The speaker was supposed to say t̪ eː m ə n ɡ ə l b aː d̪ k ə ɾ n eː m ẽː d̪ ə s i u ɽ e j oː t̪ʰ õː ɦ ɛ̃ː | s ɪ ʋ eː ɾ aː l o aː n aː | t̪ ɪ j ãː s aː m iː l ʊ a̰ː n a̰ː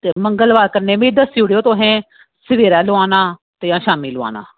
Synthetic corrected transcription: t̪ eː m ə ŋ ɡ ə l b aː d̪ k ə ɾ n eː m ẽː d̪ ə s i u ɽ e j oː t̪ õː ɦ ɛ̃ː | s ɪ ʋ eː ɾ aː l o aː n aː | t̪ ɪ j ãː ʃ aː m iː l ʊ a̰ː n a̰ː